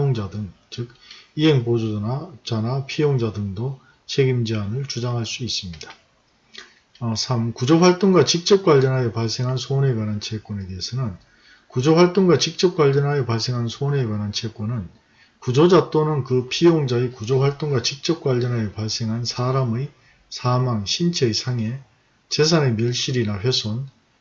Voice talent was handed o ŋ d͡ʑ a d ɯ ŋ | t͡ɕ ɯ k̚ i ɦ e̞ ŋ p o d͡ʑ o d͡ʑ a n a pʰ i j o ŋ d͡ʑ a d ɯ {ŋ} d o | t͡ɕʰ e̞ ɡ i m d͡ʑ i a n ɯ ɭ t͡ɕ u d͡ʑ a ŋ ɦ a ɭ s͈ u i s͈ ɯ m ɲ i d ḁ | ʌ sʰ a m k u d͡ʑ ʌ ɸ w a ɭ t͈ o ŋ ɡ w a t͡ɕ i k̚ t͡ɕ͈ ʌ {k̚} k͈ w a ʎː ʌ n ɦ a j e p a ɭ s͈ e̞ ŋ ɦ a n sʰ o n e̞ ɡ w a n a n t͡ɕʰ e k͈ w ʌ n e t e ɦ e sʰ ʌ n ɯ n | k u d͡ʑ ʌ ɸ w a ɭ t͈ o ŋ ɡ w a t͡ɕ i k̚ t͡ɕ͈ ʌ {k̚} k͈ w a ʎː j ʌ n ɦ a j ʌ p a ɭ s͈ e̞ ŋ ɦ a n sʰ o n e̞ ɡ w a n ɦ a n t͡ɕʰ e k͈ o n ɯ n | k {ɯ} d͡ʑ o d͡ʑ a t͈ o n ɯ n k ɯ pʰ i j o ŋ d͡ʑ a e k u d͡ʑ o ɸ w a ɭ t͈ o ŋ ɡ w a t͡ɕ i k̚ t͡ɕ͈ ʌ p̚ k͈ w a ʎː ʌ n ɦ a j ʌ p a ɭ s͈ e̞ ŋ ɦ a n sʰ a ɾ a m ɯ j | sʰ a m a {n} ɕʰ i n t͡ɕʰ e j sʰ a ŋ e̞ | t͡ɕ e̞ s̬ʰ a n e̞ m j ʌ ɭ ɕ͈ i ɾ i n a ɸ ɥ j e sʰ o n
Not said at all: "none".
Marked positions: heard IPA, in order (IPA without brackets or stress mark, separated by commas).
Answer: ŋ, p̚, p̚, u, ŋ